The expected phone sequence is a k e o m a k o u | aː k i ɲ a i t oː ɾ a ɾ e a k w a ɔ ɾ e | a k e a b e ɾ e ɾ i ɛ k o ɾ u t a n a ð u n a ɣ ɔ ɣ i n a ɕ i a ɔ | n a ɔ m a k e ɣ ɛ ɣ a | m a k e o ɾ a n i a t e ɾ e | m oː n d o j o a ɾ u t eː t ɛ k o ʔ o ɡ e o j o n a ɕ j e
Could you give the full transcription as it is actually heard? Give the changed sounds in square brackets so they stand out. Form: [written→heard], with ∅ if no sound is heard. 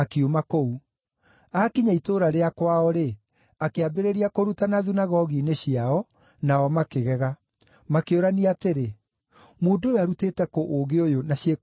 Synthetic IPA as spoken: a k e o m a k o u | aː k i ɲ a i t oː ɾ a ɾ e a k w a ɔ ɾ e | a k e a b e ɾ e ɾ i [ɛ→a] k o ɾ u t a n a ð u n a ɣ ɔ ɣ i n [a→e] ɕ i a ɔ | n a ɔ m a k e ɣ ɛ ɣ a | m a k e o ɾ a n i a t e ɾ e | m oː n d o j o a ɾ u t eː t ɛ k o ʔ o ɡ e o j o n a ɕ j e

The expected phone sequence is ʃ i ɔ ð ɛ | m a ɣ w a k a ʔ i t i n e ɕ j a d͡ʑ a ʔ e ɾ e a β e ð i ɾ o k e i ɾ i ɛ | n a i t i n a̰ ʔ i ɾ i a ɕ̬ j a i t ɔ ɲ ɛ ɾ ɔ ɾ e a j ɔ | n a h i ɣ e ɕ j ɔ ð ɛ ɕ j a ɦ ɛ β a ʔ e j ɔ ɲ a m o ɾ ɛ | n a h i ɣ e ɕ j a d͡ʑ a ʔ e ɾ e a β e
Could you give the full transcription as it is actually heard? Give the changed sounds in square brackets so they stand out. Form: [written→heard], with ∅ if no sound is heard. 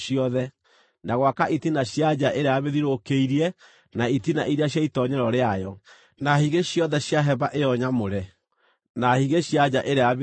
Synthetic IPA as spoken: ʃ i ɔ ð ɛ | [m→n] a ɣ w a k a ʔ i t i n [e→a] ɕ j a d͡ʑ a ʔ e ɾ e a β e ð i ɾ o k e i ɾ i ɛ | n a i t i n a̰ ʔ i ɾ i a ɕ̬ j a i t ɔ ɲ ɛ ɾ ɔ ɾ e a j ɔ | n a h i ɣ e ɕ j ɔ ð ɛ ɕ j a ɦ ɛ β a ʔ e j ɔ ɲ a m o ɾ ɛ | n a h i ɣ e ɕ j a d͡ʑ a ʔ e ɾ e a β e

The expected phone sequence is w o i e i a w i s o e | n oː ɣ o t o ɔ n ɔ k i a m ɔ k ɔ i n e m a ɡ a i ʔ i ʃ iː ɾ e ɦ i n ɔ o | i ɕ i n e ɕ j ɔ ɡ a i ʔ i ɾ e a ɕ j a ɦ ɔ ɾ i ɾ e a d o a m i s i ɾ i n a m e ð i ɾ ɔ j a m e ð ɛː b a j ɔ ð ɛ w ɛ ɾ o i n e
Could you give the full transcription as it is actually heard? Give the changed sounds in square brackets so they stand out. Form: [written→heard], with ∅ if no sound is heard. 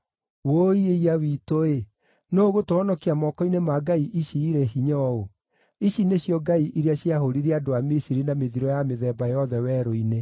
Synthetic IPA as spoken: w o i e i a w i [s→t] o e | n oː ɣ o t o ɔ n ɔ k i a m ɔ k ɔ i n e m a ɡ a i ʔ i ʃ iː ɾ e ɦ i [n→ɲ] ɔ o | i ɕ i n e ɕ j ɔ ɡ a i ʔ i ɾ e a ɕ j a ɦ [ɔ→o] ɾ i ɾ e a d o a m i s i ɾ i n a m e ð i ɾ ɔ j a m e ð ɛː b a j ɔ ð ɛ w ɛ ɾ o i n e

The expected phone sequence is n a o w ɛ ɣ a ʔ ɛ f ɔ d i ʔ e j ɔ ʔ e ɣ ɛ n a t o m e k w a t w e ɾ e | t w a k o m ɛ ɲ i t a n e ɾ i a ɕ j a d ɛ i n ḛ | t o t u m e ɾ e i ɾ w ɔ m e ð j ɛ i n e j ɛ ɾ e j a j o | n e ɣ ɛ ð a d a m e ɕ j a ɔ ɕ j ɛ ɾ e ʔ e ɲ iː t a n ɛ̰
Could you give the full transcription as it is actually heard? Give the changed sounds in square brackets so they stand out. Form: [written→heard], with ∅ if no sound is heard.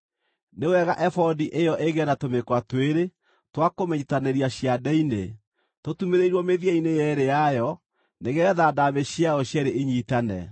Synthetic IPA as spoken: n [a→e] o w ɛ ɣ a ʔ ɛ f ɔ d i ʔ e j ɔ ʔ e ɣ ɛ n a t o m e k w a t w e ɾ e | t w a k o m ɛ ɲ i t a n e ɾ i a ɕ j a d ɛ i n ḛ | t o t u m e ɾ e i ɾ w ɔ m e ð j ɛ i n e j ɛ ɾ e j a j [o→ɔ] | n e ɣ ɛ ð a d a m e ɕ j a ɔ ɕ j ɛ ɾ e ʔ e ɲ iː t a n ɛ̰

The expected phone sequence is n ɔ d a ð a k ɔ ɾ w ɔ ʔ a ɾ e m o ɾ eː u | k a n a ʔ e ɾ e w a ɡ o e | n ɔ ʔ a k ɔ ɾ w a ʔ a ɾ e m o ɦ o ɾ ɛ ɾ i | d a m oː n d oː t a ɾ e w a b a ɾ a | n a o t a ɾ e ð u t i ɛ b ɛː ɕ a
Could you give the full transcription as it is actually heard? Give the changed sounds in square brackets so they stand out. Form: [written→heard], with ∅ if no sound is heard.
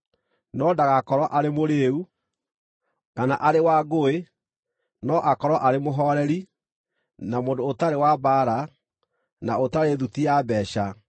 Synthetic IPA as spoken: n ɔ d a [ð→ɣ] a k ɔ ɾ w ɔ ʔ a ɾ e m o ɾ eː u | k a n a ʔ [e→a] ɾ e w a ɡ o e | n ɔ ʔ a k ɔ ɾ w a ʔ a ɾ e m o ɦ [o→ɔ] ɾ ɛ ɾ i | [d→n] a m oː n d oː t a ɾ e w a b a ɾ a | n a o t a ɾ e ð u t i [ɛ→a] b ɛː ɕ a

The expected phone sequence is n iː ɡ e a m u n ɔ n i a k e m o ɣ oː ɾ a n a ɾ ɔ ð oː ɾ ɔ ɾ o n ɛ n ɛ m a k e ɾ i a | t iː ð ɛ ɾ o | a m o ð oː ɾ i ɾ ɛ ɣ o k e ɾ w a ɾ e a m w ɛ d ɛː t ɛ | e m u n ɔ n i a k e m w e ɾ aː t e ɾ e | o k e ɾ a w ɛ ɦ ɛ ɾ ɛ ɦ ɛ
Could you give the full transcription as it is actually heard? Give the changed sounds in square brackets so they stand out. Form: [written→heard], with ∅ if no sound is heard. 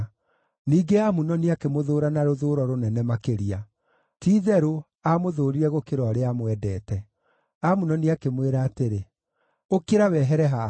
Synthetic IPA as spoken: n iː ɡ e a m u n ɔ n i a k e m o [ɣ→ð] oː ɾ a n a ɾ [ɔ→o] ð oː ɾ ɔ ɾ o n ɛ n ɛ m a k e ɾ i a | t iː ð ɛ ɾ o | a m o ð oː ɾ i ɾ ɛ ɣ o k e ɾ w a ɾ e a m w ɛ d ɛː t ɛ | [e→a] m u n ɔ n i a k e m w e ɾ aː t e ɾ e | o k e ɾ a w ɛ ɦ ɛ ɾ ɛ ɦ [ɛ→a]

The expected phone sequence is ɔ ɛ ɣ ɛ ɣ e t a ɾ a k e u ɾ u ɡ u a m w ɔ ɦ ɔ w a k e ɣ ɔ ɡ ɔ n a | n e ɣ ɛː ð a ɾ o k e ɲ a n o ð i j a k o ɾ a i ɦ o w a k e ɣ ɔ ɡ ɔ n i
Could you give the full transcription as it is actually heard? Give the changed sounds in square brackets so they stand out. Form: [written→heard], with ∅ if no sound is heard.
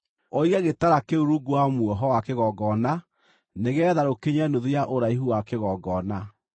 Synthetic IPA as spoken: ɔ [ɛ→i] ɣ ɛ ɣ e t a ɾ a k e u ɾ u ɡ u a m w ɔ ɦ ɔ w a k e ɣ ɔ ɡ ɔ n a | n e ɣ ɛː ð a ɾ o k e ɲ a n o ð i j a [k→ʔ] o ɾ a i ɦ [o→u] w a k e ɣ ɔ ɡ ɔ n [i→a]

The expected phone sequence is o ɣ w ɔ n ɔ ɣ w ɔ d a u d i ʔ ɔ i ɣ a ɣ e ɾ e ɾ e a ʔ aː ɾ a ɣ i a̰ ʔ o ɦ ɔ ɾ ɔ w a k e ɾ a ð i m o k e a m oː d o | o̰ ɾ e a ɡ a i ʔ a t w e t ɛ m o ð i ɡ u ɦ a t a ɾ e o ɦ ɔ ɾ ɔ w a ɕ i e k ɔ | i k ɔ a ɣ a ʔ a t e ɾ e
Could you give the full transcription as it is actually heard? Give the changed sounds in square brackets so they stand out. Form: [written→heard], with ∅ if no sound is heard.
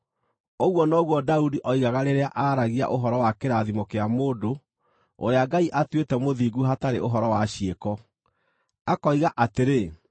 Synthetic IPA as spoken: o ɣ w ɔ n ɔ ɣ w ɔ d a u d i ʔ ɔ i ɣ a ɣ [e→a] ɾ e ɾ e a ʔ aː ɾ a ɣ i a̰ ʔ o ɦ ɔ ɾ ɔ w a k e ɾ a ð i m o k e a m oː d o | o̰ ɾ e a ɡ a i ʔ a t w e t ɛ m o ð i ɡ u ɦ a t a ɾ e o ɦ ɔ ɾ ɔ w a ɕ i e k ɔ | [i→a] k ɔ [a→i] ɣ a ʔ a t e ɾ e

